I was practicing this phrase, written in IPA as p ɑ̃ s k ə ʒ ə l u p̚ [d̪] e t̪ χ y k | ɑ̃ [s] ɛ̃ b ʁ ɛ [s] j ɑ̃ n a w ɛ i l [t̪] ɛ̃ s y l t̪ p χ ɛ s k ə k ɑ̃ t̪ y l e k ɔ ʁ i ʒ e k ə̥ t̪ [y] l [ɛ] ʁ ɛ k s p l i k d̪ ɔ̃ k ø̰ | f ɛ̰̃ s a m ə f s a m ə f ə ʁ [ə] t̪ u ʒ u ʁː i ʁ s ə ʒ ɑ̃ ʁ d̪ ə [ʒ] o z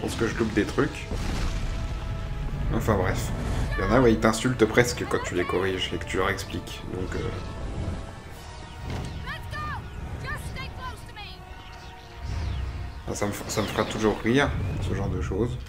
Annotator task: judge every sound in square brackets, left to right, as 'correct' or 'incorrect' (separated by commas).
correct, incorrect, incorrect, correct, correct, incorrect, incorrect, incorrect